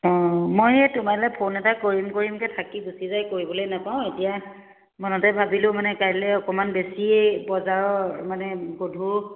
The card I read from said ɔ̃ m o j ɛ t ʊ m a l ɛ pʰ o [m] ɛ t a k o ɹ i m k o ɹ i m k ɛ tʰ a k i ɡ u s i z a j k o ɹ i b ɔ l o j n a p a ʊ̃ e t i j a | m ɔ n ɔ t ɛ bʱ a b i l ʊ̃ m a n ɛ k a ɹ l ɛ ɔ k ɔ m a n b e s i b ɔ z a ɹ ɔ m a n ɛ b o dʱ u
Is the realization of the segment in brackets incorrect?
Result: yes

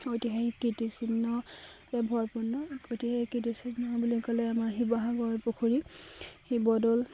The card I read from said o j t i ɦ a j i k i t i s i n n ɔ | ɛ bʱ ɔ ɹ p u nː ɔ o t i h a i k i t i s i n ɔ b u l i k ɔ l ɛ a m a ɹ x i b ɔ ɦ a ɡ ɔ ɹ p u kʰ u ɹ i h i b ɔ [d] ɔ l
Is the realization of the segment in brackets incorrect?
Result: no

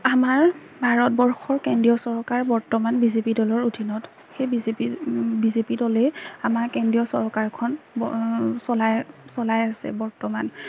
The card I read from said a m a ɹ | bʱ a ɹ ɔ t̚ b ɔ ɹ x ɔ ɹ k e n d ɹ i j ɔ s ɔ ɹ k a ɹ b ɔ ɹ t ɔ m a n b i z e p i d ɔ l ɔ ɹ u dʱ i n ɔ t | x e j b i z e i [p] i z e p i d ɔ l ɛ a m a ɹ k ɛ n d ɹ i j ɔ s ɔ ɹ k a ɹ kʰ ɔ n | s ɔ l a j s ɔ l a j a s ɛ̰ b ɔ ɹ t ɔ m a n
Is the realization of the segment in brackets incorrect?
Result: yes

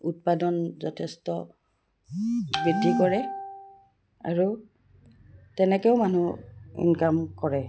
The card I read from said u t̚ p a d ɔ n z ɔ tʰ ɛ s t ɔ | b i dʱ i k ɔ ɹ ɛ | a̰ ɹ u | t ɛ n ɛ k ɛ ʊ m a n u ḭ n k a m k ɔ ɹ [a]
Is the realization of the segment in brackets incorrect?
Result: yes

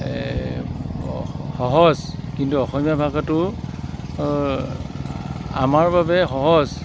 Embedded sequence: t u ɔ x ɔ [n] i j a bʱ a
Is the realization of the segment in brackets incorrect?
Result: yes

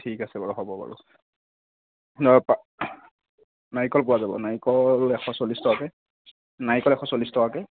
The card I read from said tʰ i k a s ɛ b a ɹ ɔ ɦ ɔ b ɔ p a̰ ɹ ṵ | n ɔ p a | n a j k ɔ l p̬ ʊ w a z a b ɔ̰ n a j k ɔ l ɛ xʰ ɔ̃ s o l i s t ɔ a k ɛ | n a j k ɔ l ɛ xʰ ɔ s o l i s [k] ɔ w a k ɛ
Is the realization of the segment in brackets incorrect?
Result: yes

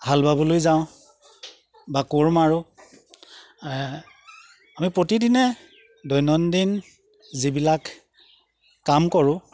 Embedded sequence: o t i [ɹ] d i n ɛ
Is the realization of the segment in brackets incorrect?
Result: yes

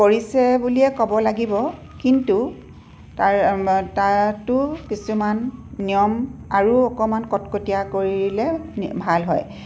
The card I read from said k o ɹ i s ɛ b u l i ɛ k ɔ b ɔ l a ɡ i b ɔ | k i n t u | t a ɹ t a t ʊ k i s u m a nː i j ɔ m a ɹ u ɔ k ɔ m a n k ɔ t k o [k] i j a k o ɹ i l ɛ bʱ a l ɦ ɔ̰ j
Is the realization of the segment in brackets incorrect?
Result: yes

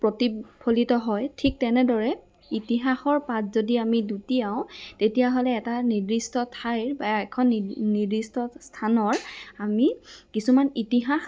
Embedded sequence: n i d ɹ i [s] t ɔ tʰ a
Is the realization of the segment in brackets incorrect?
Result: no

